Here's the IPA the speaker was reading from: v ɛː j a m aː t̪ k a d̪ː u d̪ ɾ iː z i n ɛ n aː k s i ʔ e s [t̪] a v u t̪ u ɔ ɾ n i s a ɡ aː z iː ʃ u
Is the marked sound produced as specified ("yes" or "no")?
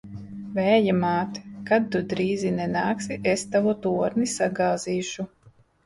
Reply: yes